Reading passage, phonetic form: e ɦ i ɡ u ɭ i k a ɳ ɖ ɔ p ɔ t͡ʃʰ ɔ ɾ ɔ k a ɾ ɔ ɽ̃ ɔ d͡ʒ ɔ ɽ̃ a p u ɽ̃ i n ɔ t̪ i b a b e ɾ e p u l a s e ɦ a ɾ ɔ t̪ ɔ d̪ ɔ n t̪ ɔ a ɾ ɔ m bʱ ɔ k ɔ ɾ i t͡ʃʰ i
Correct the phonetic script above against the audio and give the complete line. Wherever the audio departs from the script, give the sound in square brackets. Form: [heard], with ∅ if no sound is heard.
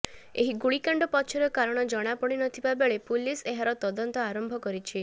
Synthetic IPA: e ɦ i ɡ u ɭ i k a ɳ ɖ ɔ p ɔ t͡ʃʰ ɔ ɾ ɔ k a ɾ ɔ ɽ̃ ɔ d͡ʒ ɔ ɽ̃ a p [ɔ] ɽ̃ i n ɔ [t̪ʰ] i b a b e [ɭ] e p u l [i] s e ɦ a ɾ ɔ t̪ ɔ d̪ ɔ n t̪ ɔ a ɾ ɔ m bʱ ɔ k ɔ ɾ i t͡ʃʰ i